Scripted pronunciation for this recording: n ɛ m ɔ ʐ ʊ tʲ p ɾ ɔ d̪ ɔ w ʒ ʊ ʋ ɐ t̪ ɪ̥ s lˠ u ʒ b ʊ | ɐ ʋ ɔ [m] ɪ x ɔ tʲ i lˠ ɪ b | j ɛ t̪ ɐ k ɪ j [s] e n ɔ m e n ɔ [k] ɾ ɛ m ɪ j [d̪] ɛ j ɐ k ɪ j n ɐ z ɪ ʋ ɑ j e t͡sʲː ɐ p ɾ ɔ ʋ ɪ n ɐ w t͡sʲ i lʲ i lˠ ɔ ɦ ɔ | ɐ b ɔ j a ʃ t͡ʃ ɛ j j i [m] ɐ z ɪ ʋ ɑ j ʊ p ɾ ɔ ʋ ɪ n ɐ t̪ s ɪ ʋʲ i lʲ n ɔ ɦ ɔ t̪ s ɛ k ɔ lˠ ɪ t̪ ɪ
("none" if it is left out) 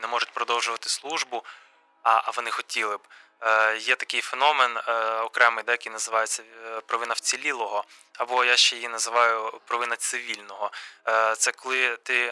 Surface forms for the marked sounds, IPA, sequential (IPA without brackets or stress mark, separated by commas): n, f, k, d̪, n